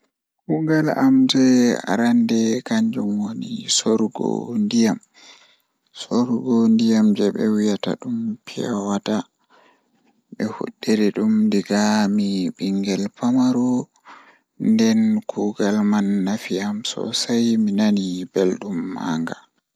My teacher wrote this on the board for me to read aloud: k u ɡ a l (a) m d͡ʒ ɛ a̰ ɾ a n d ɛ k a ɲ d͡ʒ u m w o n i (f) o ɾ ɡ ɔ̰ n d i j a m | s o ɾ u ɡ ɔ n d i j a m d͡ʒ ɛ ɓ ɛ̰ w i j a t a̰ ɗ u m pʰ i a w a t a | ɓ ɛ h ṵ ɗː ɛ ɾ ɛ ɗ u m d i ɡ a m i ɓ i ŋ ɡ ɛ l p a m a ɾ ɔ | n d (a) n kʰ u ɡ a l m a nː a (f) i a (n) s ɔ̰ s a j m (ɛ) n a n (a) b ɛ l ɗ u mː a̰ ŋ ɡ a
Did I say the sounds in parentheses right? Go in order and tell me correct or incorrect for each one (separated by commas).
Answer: correct, incorrect, incorrect, correct, incorrect, incorrect, incorrect